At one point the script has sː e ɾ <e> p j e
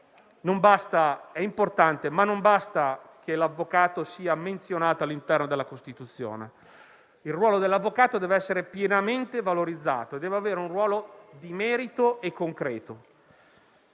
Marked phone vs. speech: correct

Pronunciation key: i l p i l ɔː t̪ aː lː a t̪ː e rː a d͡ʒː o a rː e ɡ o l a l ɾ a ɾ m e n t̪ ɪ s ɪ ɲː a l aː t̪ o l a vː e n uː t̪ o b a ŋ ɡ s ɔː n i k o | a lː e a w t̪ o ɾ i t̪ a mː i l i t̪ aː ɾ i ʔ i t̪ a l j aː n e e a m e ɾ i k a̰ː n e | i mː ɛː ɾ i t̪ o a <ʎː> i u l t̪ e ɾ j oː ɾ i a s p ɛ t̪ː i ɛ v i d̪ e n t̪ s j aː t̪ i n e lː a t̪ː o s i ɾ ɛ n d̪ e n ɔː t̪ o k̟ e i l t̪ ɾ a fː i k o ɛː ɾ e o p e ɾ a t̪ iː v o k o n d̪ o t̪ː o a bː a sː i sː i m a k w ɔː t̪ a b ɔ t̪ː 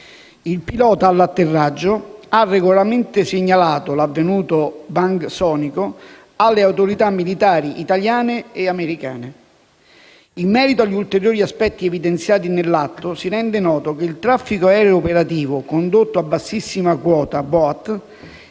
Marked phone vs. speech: correct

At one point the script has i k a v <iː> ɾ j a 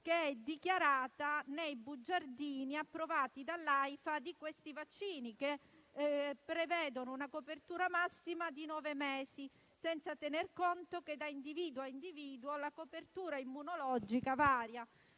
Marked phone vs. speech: incorrect: aː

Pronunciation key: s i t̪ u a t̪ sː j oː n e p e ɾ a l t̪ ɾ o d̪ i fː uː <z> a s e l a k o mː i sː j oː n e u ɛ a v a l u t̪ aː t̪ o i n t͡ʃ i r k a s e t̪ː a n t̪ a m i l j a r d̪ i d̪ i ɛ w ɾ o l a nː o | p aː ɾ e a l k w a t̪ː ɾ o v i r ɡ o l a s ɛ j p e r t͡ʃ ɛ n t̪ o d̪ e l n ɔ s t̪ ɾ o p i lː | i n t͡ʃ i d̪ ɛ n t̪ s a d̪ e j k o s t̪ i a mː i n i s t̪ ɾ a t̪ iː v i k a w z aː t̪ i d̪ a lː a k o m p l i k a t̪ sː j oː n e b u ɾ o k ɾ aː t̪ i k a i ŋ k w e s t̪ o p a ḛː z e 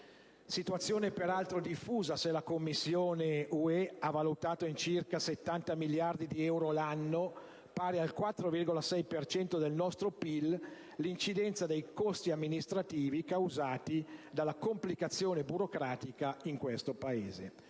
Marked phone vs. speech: correct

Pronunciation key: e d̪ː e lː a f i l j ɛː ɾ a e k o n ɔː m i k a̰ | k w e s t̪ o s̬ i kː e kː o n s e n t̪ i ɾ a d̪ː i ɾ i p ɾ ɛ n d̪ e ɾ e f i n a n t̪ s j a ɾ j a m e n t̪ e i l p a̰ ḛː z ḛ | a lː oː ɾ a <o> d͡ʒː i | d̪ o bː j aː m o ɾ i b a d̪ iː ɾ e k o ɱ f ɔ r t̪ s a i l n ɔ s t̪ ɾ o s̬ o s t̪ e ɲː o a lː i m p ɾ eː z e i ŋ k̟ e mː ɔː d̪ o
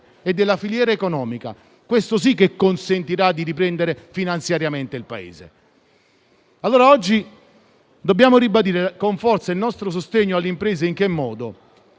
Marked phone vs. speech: incorrect: ɔ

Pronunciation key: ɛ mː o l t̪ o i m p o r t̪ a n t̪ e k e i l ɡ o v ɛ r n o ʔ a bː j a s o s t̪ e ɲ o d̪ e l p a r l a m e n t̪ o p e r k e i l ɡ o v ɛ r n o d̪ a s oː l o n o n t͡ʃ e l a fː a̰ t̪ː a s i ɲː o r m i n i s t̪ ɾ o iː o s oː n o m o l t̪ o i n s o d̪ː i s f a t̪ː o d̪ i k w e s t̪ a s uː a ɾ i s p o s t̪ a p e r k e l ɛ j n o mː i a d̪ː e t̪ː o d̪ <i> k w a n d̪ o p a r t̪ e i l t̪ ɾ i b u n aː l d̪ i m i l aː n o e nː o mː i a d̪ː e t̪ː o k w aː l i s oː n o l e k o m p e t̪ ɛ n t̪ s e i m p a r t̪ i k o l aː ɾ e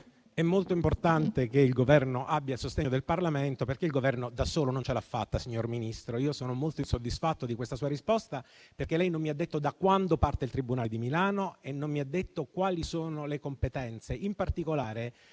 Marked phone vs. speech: incorrect: a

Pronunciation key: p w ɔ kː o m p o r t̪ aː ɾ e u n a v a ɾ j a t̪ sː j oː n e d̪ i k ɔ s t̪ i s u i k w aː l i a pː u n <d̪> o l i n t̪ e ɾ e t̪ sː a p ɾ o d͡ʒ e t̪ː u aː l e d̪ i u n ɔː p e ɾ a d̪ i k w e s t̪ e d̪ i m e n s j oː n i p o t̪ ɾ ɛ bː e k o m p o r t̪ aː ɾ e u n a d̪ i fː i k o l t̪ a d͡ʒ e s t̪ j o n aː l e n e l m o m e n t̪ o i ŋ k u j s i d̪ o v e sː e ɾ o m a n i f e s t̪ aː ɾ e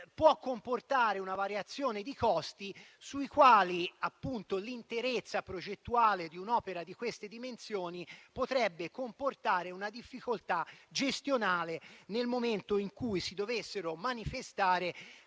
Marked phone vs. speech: incorrect: t̪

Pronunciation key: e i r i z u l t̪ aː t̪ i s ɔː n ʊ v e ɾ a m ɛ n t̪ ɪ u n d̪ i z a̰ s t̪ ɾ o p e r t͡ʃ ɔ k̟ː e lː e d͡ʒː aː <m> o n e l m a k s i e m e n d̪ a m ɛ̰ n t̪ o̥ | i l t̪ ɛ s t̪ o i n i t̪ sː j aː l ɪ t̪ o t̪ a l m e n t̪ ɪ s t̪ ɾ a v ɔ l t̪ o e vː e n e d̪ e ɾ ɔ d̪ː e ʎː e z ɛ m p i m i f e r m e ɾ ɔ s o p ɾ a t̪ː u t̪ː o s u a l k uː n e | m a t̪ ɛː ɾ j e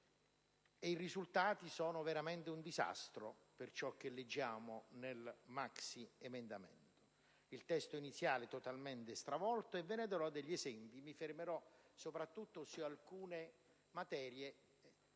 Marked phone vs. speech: correct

